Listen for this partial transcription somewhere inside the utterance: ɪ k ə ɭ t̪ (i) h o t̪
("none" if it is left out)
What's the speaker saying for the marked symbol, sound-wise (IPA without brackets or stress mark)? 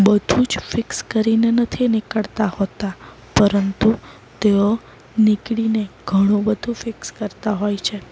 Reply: a